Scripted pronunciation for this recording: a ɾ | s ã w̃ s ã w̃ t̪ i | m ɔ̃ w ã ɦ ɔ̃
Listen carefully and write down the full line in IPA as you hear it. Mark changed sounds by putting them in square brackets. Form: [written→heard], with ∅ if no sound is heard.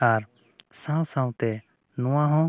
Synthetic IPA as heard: a ɾ | s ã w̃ s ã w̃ t̪ [i→ɛ] | [m→n] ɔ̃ w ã ɦ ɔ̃